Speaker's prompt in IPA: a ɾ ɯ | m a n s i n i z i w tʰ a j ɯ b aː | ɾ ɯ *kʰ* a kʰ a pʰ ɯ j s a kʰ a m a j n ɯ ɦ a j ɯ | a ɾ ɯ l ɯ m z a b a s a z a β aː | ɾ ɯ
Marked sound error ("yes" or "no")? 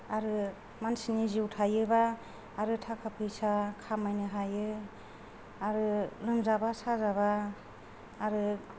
yes